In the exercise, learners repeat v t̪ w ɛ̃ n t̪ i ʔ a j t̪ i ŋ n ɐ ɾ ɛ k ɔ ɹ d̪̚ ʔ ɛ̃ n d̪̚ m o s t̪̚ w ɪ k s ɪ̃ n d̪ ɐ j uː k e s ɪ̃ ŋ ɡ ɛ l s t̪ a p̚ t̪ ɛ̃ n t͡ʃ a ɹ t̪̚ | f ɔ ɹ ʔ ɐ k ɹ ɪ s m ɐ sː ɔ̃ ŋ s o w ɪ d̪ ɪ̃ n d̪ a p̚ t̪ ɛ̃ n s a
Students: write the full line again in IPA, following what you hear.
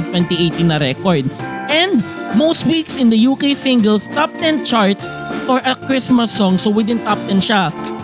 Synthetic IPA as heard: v t̪ w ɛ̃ n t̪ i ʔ e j t̪ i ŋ n ɐ ɾ ɛ k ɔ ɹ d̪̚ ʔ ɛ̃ n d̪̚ m o s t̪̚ w i k s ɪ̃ n d̪ ɐ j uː k e s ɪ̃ ŋ ɡ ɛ l s t̪ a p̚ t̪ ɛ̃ n t͡ʃ a ɹ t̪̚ | f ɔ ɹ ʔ ɐ k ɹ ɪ s m ɐ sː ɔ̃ ŋ s o w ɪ d̪ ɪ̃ n t̪ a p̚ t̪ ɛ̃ n ʃ a